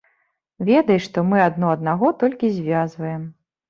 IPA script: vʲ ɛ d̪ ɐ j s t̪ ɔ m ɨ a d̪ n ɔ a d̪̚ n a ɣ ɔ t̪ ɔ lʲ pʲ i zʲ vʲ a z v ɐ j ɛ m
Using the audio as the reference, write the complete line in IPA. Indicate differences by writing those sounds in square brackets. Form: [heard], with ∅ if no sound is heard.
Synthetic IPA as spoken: vʲ ɛ d̪ ɐ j [ʂ] t̪ ɔ m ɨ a d̪ n ɔ [ɐ] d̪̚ n a ɣ ɔ t̪ ɔ lʲ [kʲ] i zʲ vʲ a z v ɐ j ɛ m

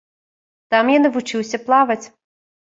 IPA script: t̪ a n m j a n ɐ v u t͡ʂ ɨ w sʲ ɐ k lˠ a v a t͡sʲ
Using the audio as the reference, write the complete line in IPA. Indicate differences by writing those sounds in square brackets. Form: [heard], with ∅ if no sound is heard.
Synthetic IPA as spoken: t̪ a [∅] m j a n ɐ v u t͡ʂ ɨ w sʲ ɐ [p] lˠ a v [ɐ] t͡sʲ

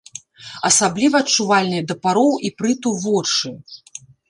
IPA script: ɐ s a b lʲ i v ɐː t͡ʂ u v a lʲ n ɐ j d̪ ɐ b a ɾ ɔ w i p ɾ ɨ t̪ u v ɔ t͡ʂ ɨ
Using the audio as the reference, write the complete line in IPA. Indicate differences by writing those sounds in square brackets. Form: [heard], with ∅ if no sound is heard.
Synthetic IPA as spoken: ɐ s a b lʲ i v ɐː t͡ʂ u v a lʲ n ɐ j d̪ ɐ [p] a ɾ ɔ w i p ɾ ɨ t̪ u v ɔ t͡ʂ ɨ

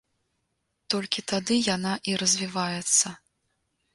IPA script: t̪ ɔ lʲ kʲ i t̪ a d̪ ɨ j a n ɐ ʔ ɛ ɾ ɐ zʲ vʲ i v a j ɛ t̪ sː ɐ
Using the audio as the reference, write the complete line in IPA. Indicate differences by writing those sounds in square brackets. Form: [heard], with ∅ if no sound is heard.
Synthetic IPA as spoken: t̪ ɔ lʲ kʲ i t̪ a d̪ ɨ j a n [a] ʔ [i] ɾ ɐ zʲ vʲ i v a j ɛ t̪ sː ɐ

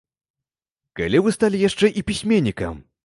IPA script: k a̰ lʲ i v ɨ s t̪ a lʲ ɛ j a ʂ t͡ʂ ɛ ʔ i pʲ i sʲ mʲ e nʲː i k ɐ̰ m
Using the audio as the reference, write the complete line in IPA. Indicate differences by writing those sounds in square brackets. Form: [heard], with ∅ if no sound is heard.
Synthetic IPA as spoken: k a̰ lʲ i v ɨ s t̪ a lʲ [i] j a ʂ t͡ʂ ɛ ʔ i pʲ i sʲ mʲ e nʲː i k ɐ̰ m

